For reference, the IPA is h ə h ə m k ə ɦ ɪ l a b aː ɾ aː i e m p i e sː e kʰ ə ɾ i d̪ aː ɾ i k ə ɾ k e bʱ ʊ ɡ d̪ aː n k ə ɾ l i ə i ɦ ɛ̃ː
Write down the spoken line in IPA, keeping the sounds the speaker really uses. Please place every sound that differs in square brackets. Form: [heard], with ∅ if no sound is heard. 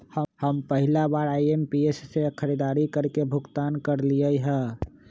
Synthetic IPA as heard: h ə h ə m [p] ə ɦ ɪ l a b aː ɾ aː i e m p i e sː e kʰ ə ɾ i d̪ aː ɾ i k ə ɾ k e bʱ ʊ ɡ [t̪] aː n k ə ɾ l i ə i ɦ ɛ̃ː